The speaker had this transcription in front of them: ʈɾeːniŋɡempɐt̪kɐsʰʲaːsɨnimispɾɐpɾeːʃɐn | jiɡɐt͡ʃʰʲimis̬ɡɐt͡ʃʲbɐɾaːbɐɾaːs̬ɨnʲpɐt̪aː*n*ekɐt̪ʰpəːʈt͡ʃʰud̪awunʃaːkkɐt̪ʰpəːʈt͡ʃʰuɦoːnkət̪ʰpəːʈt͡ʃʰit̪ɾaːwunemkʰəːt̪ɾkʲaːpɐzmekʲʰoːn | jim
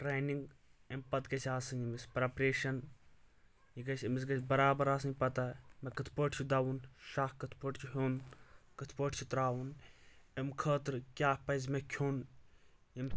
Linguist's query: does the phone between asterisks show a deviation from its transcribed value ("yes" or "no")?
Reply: yes